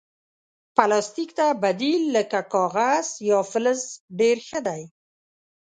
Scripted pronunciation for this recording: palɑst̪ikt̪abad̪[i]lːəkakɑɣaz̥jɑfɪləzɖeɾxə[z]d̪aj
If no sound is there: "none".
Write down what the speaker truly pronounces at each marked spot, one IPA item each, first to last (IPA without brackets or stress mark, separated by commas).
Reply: i, none